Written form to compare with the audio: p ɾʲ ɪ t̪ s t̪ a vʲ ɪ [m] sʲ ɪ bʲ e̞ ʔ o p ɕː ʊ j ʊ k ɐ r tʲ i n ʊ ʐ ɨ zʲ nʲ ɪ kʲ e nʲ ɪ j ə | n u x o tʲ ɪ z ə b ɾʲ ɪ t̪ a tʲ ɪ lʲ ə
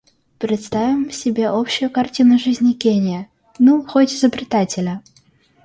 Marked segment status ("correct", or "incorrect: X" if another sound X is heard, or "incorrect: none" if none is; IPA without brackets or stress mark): correct